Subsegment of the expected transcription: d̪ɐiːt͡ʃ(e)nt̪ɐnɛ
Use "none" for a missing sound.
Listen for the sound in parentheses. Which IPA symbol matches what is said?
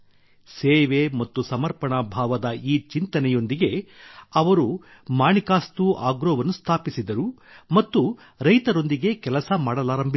i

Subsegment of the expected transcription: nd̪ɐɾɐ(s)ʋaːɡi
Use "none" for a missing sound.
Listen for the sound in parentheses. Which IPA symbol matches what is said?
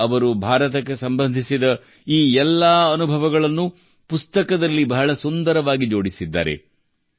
none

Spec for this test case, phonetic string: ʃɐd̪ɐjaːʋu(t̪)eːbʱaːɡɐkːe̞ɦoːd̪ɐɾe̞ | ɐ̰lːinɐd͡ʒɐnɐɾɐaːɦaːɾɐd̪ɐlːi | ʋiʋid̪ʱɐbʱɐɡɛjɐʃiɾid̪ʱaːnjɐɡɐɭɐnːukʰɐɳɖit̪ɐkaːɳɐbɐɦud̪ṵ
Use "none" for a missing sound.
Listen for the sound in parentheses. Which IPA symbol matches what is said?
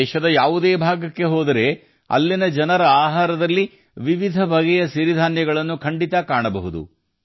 d̪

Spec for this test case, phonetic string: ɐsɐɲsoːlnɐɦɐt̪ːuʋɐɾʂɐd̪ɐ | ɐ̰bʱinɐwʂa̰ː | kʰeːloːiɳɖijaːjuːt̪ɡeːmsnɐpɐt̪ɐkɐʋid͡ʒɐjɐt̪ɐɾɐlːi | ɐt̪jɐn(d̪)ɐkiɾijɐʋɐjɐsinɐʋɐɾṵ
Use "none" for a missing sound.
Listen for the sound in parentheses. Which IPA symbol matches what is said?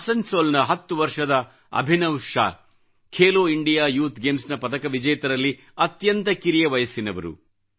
t̪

